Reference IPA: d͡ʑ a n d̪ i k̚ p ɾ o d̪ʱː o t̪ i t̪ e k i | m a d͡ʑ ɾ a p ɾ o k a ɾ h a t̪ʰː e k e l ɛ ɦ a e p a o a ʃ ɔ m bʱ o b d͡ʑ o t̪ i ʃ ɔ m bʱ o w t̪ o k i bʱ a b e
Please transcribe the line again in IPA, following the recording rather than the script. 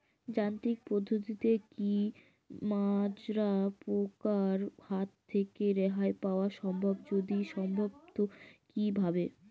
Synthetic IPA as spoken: d͡ʑ a n t̪ i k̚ p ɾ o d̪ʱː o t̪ i t̪ e k i | m a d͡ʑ ɾ a p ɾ o k a ɾ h a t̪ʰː e k e ɾ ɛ ɦ a e p a o a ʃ ɔ m bʱ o b d͡ʑ o d̪ i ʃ ɔ m bʱ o b t̪ o k i bʱ a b e